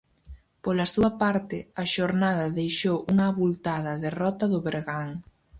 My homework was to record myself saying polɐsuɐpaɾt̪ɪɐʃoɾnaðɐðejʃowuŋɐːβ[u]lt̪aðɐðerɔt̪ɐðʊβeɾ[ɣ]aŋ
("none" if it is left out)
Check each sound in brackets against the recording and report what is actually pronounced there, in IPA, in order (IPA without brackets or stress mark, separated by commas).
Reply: u, ɣ